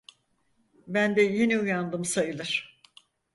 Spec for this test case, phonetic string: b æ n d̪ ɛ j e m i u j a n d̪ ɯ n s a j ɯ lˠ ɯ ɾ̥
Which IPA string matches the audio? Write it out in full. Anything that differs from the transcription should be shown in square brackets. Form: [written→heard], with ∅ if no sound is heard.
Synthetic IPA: b æ n d̪ ɛ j e [m→n] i u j a n d̪ ɯ [n→m] s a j ɯ lˠ ɯ ɾ̥